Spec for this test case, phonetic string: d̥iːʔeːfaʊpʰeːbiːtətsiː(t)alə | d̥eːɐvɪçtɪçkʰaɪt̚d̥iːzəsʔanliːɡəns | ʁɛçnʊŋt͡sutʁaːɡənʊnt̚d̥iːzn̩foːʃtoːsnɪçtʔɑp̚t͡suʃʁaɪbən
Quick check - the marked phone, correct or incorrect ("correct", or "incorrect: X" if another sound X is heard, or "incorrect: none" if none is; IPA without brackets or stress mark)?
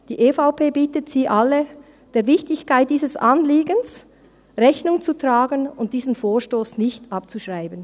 incorrect: ʔ